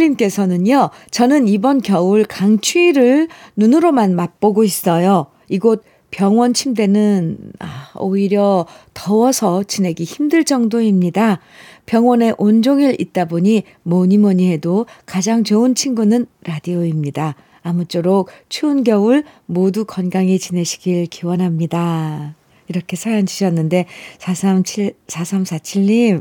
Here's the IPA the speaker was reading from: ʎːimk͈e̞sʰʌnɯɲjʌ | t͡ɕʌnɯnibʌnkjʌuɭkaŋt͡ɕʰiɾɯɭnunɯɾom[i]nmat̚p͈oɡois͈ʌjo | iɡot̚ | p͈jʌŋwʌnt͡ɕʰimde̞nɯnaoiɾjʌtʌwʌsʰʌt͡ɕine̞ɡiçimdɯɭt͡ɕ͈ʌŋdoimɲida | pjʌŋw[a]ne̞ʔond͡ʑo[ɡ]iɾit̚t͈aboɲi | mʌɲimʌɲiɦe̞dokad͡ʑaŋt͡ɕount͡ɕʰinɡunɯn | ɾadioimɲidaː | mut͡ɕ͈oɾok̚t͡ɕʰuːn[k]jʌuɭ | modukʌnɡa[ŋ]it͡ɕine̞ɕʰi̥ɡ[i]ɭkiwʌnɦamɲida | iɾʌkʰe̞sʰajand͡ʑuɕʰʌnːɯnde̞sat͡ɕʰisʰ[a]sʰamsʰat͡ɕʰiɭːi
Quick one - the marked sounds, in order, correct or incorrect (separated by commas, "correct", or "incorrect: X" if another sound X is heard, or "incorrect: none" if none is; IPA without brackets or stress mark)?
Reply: incorrect: a, incorrect: ʌ, incorrect: ŋ, incorrect: ɡ, correct, correct, correct